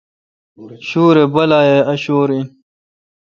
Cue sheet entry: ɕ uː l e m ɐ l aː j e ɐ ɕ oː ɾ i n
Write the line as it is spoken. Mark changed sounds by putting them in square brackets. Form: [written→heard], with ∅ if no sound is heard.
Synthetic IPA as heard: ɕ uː [l→ɾ] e [m→b] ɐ l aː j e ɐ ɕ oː ɾ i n